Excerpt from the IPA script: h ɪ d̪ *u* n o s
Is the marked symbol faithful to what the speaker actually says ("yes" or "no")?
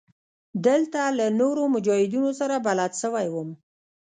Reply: yes